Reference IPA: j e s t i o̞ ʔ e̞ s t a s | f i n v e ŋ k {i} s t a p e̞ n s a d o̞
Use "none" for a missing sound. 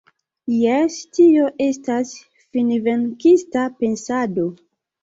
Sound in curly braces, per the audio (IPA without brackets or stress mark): i